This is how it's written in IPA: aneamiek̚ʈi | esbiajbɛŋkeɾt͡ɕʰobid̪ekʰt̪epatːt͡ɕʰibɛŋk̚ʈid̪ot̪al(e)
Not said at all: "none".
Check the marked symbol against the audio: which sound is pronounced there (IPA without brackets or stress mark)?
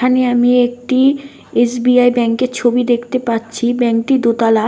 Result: a